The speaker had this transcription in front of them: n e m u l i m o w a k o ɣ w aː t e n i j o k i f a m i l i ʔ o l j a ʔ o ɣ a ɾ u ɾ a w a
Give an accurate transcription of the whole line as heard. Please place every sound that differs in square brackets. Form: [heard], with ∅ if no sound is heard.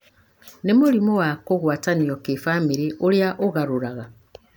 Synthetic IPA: n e m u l i m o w a k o ɣ w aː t [a] n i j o k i f a m i [ɾ] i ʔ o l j a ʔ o ɣ a ɾ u ɾ a [ɣ] a